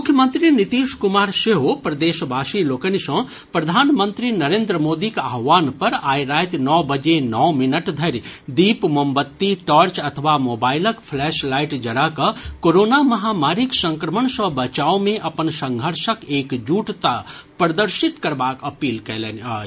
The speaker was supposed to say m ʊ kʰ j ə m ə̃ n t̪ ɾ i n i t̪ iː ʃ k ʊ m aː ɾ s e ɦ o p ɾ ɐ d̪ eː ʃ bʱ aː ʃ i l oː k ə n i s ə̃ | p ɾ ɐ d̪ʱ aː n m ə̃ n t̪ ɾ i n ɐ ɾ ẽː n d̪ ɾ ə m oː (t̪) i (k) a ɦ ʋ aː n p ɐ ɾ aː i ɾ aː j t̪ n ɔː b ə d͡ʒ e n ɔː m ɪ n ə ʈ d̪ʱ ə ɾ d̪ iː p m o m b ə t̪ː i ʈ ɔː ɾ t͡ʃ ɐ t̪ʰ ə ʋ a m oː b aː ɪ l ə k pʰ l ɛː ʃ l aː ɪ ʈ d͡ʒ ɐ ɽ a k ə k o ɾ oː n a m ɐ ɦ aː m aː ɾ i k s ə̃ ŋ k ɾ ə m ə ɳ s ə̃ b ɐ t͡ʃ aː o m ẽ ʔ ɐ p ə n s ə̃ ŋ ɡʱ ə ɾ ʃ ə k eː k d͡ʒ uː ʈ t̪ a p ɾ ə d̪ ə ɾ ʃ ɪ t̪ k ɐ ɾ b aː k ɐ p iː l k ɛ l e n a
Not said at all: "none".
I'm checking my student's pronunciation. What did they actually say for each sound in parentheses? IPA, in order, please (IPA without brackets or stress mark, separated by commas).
d̪, k